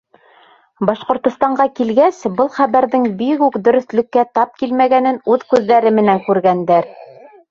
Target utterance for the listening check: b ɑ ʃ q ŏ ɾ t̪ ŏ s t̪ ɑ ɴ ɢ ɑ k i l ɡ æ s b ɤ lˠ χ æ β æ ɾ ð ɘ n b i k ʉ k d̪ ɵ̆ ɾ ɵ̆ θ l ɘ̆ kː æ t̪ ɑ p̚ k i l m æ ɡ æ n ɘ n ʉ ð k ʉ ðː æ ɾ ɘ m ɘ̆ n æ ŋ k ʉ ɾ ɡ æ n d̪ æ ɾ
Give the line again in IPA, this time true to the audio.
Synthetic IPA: b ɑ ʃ q ŏ ɾ t̪ ŏ s t̪ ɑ ɴ ɢ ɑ k i l ɡ æ s b ɤ lˠ χ æ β æ ɾ ð ɘ ŋ b i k ʉ k d̪ ɵ̆ ɾ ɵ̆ θ l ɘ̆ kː æ t̪ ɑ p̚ k i l m æ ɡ æ n ɘ n ʉ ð k ʉ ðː æ ɾ ɘ m ɘ̆ n æ ŋ k ʉ ɾ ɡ æ n d̪ æ ɾ